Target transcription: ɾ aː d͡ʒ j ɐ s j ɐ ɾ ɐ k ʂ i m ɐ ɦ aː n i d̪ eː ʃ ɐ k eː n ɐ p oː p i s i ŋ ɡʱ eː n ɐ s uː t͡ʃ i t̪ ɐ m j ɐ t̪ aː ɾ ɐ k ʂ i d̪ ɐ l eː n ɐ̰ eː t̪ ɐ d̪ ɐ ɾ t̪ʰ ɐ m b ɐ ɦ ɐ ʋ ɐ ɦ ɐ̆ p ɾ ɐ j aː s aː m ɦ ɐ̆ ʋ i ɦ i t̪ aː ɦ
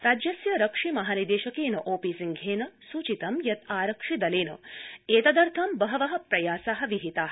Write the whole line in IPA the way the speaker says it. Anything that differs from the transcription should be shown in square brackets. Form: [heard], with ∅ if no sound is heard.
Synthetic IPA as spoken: ɾ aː d͡ʒ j ɐ s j ɐ ɾ ɐ k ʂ i m ɐ ɦ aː n i d̪ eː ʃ ɐ k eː n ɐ [ʔ] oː p i s i ŋ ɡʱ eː n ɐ s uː t͡ʃ i t̪ ɐ m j ɐ t̪ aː ɾ ɐ k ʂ i d̪ ɐ l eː n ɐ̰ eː t̪ ɐ d̪ ɐ ɾ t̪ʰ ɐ m b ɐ ɦ ɐ ʋ ɐ ɦ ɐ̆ p ɾ ɐ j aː s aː [∅] ɦ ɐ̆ ʋ i ɦ i t̪ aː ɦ